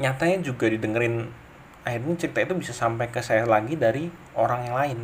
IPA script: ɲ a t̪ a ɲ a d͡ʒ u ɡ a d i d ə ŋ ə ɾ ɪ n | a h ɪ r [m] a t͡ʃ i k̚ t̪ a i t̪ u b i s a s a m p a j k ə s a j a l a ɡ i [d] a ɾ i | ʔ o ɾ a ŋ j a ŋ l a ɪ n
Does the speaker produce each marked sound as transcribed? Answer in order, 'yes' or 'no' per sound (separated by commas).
no, yes